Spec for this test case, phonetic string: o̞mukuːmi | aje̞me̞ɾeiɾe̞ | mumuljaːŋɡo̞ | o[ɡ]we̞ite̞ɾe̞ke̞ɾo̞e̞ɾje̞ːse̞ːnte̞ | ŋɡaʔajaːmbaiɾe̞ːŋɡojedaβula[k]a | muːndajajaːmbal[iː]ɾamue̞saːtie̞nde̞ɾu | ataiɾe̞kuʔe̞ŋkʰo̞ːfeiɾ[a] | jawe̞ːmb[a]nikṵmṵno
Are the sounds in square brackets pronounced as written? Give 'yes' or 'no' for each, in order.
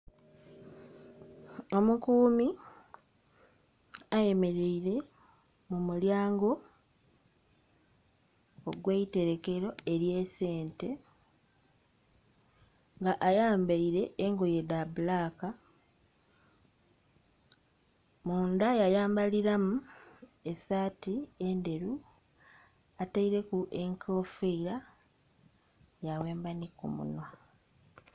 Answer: yes, yes, no, yes, yes

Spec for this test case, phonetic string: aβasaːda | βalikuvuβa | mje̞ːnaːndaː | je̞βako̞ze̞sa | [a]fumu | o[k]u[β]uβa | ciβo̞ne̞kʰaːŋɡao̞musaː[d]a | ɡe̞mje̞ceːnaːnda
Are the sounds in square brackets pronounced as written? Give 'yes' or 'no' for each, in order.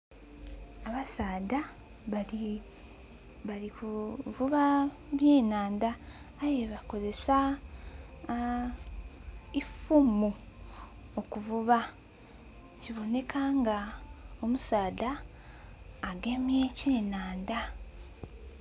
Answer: no, yes, no, yes

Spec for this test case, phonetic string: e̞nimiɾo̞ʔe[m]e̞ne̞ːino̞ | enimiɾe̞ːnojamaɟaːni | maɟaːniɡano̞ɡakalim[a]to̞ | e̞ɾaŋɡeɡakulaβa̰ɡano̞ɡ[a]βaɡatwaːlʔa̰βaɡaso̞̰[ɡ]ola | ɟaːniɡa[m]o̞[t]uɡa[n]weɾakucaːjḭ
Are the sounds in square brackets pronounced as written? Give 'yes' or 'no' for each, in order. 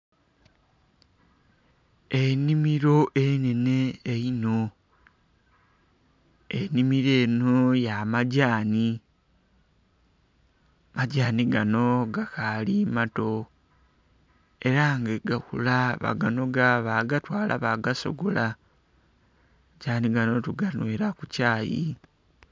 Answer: no, yes, yes, yes, no, yes, yes

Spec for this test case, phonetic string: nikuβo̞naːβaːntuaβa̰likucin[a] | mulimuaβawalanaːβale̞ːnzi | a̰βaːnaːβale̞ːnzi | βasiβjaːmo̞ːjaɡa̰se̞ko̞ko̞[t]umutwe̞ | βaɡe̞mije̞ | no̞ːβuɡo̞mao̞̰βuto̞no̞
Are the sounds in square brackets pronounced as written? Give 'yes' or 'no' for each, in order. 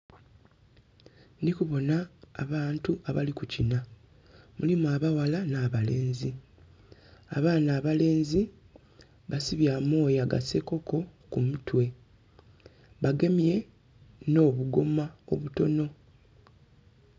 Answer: yes, no

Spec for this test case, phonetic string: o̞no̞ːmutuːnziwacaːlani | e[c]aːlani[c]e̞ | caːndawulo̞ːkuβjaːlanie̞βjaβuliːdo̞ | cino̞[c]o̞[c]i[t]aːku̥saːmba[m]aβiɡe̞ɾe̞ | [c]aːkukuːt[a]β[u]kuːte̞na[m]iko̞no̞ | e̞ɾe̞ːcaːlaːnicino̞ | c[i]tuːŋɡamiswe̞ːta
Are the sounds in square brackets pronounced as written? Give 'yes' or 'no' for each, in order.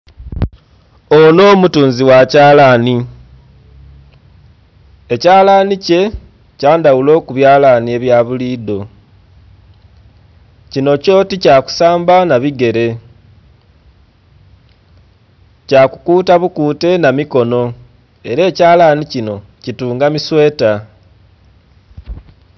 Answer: yes, yes, yes, no, no, no, yes, yes, yes, yes, yes

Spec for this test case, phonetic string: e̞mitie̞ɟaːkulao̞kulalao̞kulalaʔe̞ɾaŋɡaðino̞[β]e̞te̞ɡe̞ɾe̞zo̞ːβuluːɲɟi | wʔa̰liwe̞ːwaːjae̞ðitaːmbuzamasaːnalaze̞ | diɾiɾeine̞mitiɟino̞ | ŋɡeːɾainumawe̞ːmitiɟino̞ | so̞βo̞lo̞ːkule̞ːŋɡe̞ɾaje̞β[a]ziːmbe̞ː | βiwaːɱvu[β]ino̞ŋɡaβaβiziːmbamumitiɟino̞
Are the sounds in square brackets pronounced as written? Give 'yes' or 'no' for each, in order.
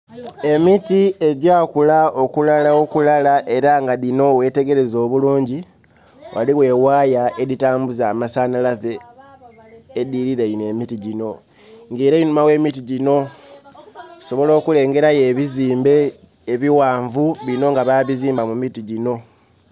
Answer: no, no, yes

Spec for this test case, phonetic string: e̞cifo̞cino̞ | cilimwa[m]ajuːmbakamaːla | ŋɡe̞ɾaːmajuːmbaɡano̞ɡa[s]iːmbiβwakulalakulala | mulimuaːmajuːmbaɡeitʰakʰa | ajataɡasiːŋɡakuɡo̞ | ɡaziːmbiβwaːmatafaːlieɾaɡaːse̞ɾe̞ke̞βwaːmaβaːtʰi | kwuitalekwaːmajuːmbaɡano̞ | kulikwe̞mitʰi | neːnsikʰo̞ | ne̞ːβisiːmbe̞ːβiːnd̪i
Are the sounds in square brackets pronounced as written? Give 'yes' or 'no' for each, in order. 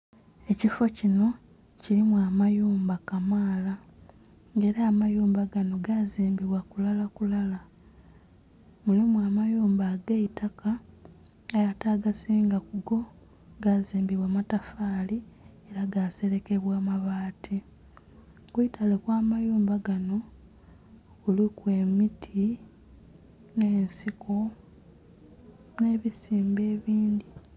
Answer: yes, no

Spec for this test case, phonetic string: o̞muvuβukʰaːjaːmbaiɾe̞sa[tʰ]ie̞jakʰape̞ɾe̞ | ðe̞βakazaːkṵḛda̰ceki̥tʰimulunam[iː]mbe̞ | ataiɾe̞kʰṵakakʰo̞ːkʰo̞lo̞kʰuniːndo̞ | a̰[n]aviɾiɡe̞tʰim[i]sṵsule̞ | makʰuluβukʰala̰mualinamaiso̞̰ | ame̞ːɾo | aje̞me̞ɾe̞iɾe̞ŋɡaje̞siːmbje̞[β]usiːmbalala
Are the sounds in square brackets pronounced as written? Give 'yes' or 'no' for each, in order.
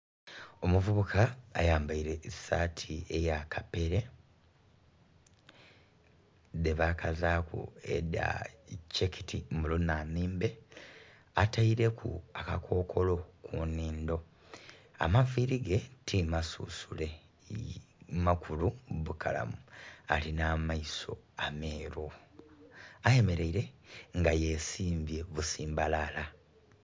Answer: yes, yes, no, no, yes

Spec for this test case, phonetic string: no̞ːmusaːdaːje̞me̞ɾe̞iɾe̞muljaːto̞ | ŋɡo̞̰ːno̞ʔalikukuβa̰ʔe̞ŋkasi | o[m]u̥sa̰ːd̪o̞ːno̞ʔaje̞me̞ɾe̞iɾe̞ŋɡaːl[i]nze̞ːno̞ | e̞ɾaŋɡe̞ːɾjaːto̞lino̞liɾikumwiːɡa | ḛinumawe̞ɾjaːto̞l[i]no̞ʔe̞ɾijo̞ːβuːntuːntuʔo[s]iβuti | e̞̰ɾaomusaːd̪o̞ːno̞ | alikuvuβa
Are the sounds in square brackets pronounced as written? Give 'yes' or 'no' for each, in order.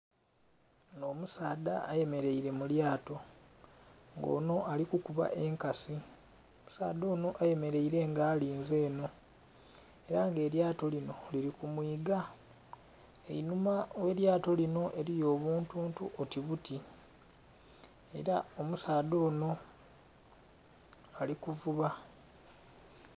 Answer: yes, no, yes, no

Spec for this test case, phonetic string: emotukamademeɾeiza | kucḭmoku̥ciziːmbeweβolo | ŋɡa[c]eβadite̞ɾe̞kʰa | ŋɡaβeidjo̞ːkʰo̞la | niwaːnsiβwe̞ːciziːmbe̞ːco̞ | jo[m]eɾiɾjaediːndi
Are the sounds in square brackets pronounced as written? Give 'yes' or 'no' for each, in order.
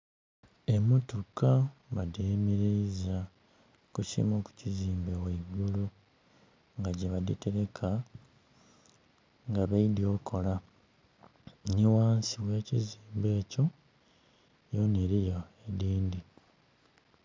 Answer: no, no

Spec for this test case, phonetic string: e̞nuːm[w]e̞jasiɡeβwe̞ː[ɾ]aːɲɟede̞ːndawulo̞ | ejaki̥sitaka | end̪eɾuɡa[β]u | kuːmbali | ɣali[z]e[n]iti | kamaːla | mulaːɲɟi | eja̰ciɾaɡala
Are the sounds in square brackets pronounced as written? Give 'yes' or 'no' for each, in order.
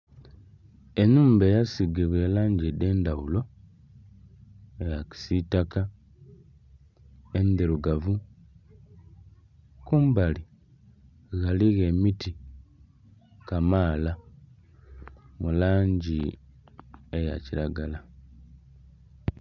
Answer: no, no, no, no, no

